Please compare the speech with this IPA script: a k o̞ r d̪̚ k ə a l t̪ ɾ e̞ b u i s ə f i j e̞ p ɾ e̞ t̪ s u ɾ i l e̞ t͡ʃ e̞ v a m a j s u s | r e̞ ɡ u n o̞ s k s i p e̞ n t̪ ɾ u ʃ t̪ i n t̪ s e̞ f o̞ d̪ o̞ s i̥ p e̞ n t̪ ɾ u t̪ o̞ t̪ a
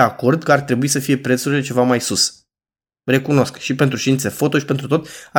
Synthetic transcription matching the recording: a k o̞ r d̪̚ k ə a r t̪ ɾ e̞ b u i s ə f i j e̞ p ɾ e̞ t̪ s u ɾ i l e̞ t͡ʃ e̞ v a m a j s u s | r e̞ k u n o̞ s k ʃ i p e̞ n t̪ ɾ u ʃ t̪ i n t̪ s e̞ f o̞ t̪ o̞ ʃ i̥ p e̞ n t̪ ɾ u t̪ o̞ t̪ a